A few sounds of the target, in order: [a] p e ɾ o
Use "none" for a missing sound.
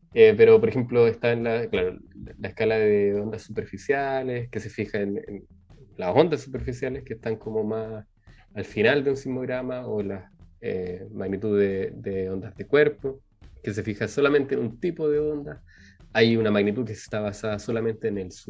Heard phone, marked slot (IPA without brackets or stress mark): e